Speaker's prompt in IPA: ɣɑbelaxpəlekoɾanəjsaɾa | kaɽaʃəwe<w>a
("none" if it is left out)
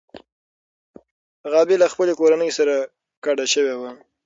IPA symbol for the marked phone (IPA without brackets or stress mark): w